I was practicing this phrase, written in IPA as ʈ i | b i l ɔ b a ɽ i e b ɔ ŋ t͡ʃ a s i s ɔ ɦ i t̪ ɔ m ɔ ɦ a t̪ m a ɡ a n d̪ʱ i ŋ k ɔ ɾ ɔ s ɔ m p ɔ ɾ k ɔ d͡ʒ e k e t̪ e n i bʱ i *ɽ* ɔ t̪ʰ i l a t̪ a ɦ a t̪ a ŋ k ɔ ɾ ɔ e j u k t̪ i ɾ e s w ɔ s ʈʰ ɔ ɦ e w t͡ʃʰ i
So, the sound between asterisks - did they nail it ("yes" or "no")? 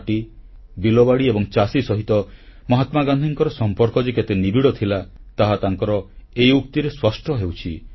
yes